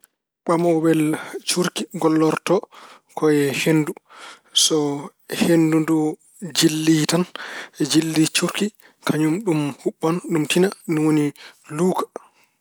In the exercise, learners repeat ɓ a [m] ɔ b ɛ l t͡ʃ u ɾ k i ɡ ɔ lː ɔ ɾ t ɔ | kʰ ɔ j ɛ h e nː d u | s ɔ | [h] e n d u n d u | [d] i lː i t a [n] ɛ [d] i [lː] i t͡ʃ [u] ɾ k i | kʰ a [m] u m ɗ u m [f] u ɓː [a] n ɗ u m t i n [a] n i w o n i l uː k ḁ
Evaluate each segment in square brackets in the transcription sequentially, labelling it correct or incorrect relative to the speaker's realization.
correct, correct, incorrect, correct, incorrect, correct, correct, incorrect, incorrect, correct, correct

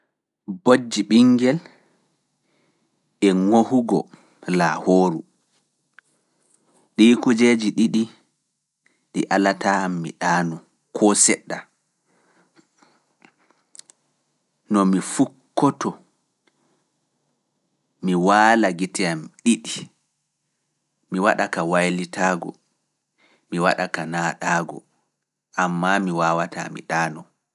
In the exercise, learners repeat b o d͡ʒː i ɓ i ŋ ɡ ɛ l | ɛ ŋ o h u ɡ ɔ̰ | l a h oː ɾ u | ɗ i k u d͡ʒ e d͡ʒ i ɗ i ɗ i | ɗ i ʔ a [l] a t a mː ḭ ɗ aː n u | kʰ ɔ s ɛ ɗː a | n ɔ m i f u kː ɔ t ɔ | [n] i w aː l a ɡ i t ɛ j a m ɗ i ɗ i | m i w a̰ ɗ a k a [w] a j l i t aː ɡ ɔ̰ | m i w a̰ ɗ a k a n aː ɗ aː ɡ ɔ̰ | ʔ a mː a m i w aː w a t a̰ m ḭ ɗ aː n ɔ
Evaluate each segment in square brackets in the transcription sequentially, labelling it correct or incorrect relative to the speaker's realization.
correct, incorrect, correct

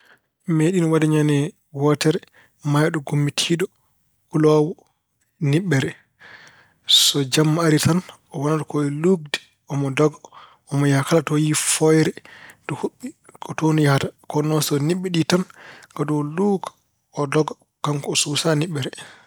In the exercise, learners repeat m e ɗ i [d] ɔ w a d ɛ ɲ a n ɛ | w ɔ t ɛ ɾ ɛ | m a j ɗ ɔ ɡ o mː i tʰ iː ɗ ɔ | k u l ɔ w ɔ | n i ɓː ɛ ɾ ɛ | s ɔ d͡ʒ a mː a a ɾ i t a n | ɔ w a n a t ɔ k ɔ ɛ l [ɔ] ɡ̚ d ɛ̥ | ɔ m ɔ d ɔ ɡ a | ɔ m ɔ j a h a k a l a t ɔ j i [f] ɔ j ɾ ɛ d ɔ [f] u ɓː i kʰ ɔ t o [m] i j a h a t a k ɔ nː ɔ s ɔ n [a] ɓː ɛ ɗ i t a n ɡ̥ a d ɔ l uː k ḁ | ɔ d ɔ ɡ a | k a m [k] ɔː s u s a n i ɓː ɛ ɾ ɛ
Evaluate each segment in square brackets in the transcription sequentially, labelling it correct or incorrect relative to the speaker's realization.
incorrect, incorrect, correct, incorrect, incorrect, incorrect, correct

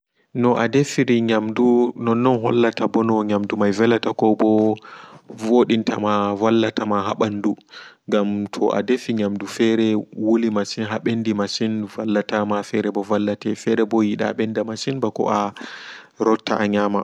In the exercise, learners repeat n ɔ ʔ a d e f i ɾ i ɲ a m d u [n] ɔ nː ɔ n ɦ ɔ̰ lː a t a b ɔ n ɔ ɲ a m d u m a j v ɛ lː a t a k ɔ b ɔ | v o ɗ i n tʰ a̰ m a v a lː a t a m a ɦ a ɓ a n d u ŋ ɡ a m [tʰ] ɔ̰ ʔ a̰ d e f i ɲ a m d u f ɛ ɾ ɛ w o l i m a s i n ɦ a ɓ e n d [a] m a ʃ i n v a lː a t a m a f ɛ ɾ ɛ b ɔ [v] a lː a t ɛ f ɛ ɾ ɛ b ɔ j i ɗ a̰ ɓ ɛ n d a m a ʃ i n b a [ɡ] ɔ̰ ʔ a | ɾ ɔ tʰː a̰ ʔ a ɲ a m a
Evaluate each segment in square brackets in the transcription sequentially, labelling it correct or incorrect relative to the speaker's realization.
correct, correct, incorrect, correct, incorrect

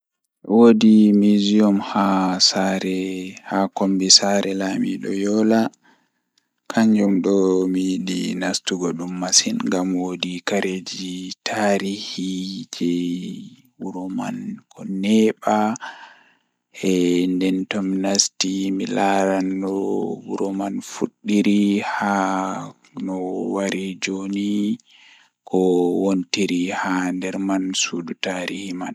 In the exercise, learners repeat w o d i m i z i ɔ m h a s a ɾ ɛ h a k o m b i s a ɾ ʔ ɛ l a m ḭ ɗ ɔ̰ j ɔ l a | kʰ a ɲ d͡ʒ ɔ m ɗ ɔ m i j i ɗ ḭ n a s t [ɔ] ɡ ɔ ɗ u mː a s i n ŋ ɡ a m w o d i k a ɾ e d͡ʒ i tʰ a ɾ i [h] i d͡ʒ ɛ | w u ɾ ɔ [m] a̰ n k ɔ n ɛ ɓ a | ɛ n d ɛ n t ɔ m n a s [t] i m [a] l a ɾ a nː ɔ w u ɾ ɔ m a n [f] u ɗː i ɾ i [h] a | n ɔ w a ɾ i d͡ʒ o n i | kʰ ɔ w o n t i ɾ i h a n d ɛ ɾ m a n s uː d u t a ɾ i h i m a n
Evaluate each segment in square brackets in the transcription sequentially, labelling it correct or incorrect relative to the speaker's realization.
incorrect, correct, correct, correct, incorrect, correct, correct

